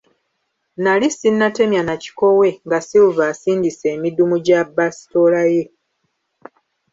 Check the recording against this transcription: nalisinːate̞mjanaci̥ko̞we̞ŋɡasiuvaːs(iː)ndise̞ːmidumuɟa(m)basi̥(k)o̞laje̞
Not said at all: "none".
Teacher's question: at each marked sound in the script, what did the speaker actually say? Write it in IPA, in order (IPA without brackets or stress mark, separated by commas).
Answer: iː, none, t